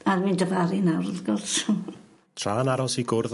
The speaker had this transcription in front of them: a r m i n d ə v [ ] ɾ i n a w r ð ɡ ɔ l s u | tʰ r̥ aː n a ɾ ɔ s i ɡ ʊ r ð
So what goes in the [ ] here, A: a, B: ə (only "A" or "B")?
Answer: A